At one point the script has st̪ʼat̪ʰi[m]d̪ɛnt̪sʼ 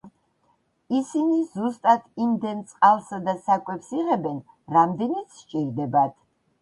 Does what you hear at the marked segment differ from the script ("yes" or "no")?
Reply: no